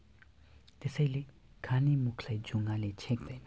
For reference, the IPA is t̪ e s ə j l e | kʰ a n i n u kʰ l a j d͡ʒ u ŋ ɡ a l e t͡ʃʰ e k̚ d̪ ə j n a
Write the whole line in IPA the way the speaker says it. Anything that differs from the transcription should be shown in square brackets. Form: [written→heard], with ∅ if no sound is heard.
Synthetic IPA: t̪ e s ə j l e | kʰ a n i [n→m] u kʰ l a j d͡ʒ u ŋ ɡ a l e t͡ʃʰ e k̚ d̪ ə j n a